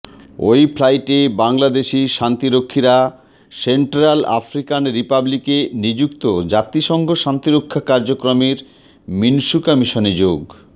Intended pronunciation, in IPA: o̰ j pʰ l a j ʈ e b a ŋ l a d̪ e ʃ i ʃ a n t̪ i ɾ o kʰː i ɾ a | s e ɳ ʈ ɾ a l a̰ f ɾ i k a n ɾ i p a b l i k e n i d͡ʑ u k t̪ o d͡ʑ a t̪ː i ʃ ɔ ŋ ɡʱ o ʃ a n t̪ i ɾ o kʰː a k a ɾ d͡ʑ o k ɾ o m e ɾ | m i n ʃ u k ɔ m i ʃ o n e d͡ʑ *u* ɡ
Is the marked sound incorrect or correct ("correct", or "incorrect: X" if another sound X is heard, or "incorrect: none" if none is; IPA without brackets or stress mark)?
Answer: incorrect: o